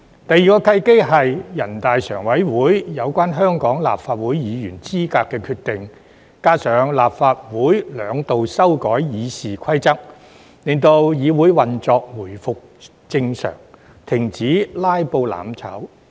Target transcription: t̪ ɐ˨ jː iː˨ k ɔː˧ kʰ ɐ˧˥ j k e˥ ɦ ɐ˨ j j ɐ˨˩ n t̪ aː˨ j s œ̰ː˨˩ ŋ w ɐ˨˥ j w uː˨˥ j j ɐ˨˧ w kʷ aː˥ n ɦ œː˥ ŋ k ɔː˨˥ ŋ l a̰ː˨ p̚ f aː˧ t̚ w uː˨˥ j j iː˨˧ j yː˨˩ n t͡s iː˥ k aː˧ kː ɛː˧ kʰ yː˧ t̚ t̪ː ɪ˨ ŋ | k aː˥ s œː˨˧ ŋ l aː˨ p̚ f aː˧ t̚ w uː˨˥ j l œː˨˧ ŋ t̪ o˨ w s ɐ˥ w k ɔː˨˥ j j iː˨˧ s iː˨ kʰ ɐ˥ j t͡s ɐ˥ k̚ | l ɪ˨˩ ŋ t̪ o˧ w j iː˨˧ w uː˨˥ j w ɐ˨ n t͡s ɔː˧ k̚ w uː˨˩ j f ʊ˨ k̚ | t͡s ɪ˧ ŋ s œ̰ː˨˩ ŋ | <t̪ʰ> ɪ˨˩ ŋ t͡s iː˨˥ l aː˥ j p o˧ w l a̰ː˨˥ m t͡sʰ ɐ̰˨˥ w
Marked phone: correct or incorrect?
correct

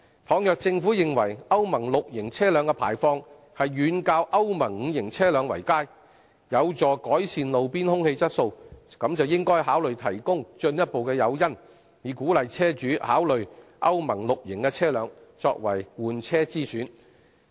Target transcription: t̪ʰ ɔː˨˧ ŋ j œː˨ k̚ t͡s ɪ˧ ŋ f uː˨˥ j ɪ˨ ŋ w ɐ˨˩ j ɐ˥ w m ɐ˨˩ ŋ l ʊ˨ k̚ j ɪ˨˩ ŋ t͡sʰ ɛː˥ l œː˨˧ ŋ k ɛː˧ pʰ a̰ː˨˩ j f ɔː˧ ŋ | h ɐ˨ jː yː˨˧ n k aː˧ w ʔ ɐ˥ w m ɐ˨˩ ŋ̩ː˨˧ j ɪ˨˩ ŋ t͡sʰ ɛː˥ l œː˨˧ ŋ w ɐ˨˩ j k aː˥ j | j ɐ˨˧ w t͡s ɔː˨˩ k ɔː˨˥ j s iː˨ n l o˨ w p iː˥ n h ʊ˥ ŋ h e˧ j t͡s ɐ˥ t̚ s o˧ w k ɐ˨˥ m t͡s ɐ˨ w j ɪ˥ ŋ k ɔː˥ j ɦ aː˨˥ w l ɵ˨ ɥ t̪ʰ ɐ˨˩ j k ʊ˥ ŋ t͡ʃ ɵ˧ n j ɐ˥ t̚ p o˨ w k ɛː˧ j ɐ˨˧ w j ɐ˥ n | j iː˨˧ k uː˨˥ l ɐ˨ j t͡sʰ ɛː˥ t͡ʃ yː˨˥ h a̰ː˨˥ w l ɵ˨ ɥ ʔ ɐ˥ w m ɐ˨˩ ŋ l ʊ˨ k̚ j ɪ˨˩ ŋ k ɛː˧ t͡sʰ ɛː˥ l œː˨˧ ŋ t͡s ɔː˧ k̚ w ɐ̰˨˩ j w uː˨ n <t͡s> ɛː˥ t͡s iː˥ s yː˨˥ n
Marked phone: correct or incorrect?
incorrect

